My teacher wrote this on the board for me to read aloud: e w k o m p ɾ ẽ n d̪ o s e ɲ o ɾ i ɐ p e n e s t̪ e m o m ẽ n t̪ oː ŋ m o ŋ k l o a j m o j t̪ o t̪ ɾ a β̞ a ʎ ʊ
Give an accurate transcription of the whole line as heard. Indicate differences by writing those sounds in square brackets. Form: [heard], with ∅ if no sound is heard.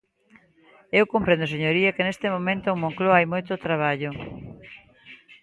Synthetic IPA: e w k o m p ɾ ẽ n d̪ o s e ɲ o ɾ i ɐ [k] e n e s t̪ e m o m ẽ n t̪ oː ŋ m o ŋ k l o a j m o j t̪ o t̪ ɾ a β̞ a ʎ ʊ